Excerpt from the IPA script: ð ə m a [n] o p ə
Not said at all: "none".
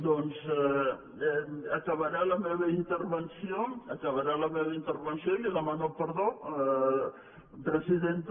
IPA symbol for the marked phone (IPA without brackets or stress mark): n